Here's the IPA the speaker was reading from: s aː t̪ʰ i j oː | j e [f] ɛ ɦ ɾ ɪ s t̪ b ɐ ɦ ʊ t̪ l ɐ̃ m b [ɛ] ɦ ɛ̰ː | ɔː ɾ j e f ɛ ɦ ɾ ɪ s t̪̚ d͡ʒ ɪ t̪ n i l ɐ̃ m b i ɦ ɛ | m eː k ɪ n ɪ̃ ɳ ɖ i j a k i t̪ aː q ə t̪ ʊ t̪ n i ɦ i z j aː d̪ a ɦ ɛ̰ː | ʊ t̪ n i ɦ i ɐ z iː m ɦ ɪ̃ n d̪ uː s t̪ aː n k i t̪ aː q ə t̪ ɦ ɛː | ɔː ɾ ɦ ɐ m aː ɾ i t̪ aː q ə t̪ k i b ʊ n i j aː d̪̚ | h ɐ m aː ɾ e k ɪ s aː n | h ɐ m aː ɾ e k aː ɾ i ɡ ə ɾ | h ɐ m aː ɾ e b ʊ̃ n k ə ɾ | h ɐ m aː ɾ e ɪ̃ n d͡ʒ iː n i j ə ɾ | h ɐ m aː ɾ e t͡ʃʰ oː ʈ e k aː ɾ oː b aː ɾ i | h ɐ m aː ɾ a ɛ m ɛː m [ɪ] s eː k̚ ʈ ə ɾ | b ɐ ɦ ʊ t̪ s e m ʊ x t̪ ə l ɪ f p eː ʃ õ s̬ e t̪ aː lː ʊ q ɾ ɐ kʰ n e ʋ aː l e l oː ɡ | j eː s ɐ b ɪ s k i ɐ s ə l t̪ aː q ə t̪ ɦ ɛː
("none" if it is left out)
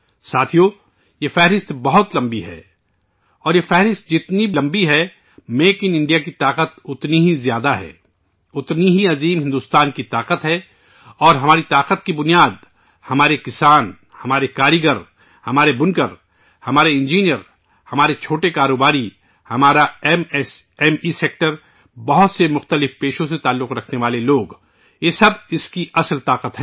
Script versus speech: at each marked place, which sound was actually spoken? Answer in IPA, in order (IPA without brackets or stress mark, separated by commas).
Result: f, i, i